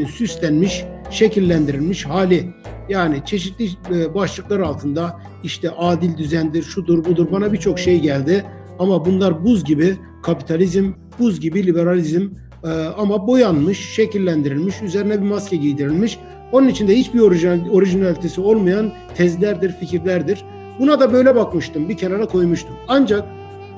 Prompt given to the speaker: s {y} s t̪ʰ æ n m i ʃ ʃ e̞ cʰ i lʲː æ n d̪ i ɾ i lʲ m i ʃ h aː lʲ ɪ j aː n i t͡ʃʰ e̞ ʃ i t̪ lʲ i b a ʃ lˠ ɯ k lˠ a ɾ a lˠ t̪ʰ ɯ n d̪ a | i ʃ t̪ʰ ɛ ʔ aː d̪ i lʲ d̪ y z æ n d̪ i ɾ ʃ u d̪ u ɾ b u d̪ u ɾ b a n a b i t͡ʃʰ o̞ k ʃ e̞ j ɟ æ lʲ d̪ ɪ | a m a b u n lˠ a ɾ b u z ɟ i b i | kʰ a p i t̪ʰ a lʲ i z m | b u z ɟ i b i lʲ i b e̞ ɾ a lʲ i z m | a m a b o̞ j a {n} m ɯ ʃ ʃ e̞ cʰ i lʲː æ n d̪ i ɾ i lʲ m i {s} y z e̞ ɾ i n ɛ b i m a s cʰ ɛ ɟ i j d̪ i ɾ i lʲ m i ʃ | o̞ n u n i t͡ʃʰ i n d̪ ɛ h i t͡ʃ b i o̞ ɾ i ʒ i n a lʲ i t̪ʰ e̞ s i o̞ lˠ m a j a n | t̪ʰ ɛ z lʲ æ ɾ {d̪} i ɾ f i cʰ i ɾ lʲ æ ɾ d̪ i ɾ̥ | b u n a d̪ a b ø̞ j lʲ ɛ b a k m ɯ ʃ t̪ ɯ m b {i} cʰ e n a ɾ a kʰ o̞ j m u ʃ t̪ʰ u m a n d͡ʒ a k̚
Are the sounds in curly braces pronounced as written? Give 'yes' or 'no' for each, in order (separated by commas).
yes, yes, no, yes, yes